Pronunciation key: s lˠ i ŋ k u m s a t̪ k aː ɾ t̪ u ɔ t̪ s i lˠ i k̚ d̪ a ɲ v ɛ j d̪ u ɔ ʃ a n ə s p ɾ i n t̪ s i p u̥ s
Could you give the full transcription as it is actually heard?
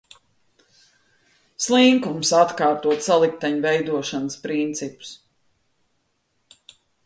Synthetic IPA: s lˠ i ŋ k u m s a t̪ k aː ɾ t̪ u ɔ t̪ s a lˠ i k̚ t̪ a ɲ v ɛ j d̪ u ɔ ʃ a n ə s p ɾ i n t̪ s i p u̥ s